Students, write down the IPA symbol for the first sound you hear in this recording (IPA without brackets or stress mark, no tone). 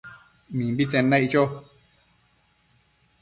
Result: m